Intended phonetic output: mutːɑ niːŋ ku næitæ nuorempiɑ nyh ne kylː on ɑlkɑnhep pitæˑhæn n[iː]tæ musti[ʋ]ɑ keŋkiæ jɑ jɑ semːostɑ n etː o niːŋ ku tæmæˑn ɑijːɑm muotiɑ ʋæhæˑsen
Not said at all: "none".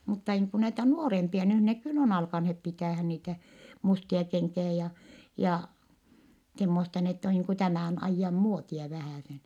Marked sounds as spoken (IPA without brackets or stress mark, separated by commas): iː, none